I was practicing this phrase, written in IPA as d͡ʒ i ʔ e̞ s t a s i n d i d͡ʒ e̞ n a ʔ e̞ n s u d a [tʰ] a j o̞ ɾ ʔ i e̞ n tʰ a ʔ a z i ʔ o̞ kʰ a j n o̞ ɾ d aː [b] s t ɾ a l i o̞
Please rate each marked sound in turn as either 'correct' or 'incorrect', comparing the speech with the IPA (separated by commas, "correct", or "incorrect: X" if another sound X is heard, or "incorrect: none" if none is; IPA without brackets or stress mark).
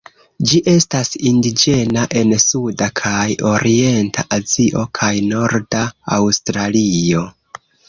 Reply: incorrect: kʰ, incorrect: w